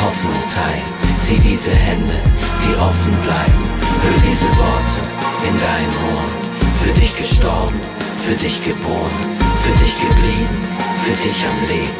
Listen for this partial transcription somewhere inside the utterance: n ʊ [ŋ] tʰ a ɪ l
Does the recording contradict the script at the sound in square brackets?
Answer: no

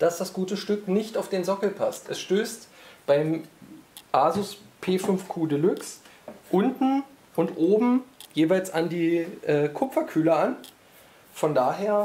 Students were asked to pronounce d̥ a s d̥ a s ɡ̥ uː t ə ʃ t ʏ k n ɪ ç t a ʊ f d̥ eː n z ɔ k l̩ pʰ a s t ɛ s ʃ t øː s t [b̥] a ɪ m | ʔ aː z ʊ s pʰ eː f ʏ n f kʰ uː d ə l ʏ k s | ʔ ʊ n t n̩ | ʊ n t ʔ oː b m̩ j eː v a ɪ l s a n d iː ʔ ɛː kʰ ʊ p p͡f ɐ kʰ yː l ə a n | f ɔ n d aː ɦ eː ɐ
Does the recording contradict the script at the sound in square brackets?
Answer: no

